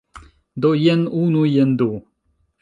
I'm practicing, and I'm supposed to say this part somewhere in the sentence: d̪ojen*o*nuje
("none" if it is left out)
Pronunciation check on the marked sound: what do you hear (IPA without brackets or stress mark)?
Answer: u